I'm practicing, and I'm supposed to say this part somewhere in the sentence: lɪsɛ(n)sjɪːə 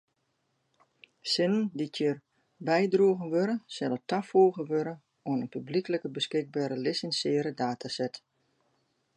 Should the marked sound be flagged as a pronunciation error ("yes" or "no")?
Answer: no